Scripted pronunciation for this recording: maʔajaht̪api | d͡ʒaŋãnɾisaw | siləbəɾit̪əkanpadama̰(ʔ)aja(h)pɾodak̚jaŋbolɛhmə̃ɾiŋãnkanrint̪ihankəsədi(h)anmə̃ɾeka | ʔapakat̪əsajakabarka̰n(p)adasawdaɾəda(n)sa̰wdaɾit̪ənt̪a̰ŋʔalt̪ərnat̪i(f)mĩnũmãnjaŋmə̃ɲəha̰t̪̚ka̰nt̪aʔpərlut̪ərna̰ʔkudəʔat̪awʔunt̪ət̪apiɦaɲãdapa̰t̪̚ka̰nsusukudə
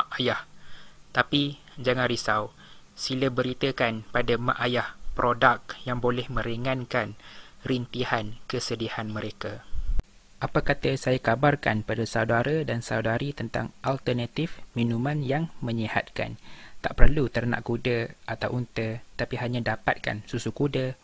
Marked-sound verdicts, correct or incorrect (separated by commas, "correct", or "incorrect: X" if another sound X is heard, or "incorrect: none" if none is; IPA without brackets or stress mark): correct, correct, correct, correct, correct, correct